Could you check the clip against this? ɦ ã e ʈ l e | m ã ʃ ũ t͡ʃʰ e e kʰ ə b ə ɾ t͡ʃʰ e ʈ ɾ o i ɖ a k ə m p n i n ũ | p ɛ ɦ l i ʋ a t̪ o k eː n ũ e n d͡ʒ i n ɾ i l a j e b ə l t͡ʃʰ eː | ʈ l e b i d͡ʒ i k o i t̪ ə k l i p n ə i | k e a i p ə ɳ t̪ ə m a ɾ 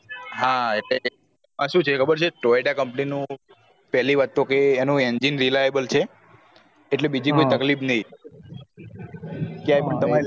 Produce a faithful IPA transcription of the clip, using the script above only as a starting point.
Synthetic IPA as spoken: ɦ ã e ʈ l e | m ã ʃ ũ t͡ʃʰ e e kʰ ə b ə ɾ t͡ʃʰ e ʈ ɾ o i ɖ a k ə m p n i n ũ | p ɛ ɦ l i ʋ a t̪ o k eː n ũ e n d͡ʒ i n ɾ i l a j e b ə l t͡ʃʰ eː | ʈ l e b i d͡ʒ i k o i t̪ ə k l i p n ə i | k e a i p ə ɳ t̪ ə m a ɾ